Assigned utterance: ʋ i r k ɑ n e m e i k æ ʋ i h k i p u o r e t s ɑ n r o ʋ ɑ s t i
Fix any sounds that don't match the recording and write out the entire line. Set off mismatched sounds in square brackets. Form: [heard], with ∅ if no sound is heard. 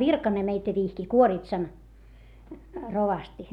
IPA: ʋ i r k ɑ n e m e i [t] æ ʋ i h k i [k] u o r [i] t s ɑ n r o ʋ ɑ s t i